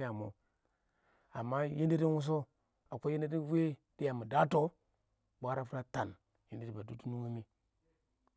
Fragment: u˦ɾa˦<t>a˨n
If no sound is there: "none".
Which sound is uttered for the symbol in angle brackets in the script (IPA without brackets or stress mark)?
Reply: t